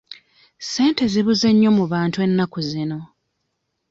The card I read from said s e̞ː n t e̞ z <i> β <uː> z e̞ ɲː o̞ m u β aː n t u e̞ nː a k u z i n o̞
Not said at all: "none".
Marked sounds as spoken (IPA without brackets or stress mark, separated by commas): i, u